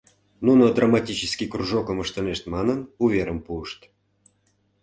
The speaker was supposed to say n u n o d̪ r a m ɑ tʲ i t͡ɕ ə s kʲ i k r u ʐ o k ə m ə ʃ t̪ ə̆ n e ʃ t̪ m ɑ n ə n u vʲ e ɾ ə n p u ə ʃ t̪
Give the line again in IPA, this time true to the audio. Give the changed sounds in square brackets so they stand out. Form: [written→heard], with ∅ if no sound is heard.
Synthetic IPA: n u n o d̪ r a m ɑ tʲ i t͡ɕ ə s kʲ i k r u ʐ o k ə m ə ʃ t̪ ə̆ n e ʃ t̪ m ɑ n ə n u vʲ e ɾ ə [n→m] p u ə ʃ t̪